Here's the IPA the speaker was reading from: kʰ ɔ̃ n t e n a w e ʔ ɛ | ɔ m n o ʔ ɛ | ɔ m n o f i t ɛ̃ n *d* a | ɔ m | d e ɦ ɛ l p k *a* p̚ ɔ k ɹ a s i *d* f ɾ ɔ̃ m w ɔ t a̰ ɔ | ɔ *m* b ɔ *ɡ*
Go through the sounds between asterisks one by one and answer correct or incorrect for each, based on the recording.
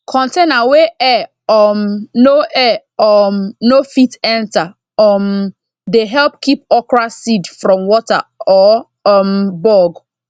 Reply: incorrect, incorrect, correct, correct, correct

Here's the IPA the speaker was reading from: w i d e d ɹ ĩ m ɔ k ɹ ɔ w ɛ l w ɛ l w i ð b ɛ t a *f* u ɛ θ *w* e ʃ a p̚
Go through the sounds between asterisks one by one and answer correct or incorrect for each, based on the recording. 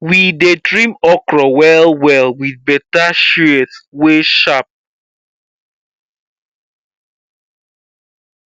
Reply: incorrect, correct

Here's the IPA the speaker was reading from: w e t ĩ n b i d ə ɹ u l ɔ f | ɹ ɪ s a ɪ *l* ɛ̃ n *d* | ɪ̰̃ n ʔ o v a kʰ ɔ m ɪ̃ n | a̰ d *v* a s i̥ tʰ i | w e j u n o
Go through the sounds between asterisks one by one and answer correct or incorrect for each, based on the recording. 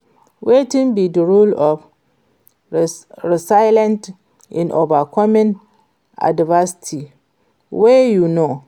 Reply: correct, incorrect, correct

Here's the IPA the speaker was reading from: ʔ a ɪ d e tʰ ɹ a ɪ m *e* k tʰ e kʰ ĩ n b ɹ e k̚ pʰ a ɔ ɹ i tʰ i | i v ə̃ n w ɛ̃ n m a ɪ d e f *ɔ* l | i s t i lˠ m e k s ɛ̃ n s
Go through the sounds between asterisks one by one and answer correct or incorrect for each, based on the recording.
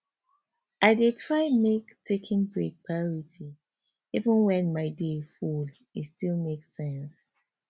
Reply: correct, incorrect

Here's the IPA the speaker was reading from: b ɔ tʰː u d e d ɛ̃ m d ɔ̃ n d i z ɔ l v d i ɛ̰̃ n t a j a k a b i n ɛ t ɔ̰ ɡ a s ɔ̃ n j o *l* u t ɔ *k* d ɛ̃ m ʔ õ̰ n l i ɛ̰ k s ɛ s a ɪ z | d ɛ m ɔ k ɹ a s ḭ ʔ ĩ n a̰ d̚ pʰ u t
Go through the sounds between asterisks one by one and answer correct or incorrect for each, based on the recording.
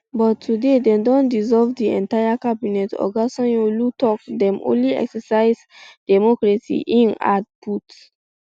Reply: correct, correct

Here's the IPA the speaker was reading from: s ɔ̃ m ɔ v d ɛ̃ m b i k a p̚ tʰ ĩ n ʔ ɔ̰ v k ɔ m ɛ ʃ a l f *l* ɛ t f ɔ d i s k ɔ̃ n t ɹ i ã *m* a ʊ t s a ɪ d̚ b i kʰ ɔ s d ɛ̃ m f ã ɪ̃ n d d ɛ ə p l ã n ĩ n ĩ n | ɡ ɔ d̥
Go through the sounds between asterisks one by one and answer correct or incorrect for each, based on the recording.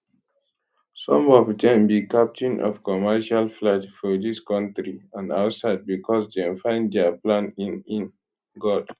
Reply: correct, incorrect

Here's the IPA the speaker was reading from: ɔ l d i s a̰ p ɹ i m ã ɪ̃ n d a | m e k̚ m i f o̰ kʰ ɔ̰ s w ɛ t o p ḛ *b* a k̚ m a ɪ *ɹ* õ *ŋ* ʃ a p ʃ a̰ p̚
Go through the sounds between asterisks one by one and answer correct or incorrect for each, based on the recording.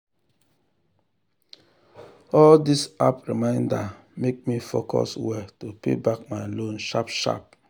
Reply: correct, incorrect, incorrect

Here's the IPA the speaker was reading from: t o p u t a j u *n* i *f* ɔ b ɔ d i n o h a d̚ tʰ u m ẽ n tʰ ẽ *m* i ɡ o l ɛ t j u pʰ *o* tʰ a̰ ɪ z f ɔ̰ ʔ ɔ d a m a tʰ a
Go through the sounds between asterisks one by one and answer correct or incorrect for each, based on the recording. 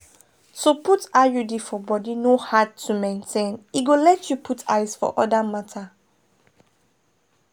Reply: incorrect, correct, incorrect, incorrect

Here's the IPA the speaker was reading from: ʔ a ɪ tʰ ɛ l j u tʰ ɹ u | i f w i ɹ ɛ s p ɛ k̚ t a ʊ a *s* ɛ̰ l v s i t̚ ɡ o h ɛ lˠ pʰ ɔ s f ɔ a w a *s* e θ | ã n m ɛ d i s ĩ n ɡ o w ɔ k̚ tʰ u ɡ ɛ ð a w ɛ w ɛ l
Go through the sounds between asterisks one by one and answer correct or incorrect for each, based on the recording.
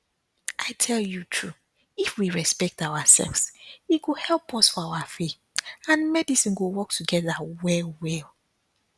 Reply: correct, incorrect

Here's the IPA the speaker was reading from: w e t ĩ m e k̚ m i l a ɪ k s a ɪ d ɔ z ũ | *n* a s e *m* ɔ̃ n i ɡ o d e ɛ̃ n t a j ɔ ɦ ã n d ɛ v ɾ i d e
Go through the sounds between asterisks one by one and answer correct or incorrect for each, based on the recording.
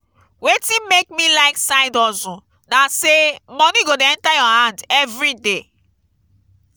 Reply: correct, correct

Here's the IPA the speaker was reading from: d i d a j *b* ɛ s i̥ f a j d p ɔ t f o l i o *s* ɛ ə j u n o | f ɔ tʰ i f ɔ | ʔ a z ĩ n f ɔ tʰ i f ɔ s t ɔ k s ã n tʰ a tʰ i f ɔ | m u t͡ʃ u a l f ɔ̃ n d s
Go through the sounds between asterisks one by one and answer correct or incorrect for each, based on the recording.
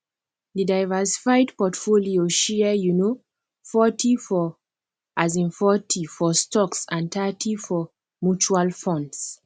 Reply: incorrect, incorrect

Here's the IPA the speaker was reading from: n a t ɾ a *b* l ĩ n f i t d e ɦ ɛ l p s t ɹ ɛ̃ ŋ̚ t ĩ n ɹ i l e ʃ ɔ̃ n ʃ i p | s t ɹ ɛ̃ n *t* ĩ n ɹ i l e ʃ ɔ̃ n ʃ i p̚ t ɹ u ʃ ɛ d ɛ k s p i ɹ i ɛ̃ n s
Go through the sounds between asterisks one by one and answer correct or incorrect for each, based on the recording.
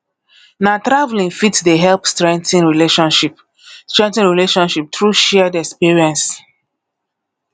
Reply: incorrect, correct

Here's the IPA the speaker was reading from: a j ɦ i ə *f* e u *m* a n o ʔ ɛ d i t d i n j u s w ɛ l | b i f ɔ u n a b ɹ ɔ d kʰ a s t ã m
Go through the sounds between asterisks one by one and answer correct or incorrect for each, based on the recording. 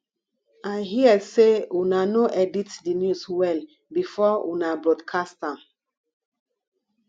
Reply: incorrect, incorrect

